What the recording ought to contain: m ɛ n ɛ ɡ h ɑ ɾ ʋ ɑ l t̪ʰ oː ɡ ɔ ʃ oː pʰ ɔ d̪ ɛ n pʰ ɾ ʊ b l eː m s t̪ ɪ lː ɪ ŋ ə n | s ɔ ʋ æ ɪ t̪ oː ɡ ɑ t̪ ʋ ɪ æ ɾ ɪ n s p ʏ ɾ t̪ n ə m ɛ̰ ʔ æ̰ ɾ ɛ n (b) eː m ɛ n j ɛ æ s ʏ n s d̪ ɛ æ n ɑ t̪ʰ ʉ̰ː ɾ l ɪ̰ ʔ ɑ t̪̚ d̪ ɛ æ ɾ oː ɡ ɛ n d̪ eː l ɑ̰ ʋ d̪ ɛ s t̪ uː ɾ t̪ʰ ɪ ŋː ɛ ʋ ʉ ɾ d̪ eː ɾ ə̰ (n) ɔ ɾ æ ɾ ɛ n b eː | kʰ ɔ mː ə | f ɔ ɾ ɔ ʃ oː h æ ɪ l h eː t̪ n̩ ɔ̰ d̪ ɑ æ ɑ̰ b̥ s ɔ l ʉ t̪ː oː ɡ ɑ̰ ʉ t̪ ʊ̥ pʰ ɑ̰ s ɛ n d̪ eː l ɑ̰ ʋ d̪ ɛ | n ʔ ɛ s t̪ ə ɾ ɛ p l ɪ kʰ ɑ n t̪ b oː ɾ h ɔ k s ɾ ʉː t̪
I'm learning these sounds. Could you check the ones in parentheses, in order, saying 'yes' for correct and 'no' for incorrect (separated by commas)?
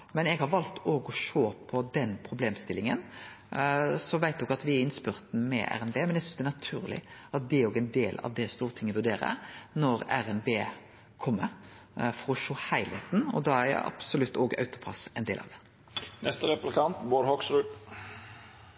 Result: yes, yes